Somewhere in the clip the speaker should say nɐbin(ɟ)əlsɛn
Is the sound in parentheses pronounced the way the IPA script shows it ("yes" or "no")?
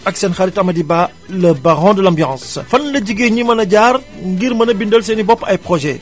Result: no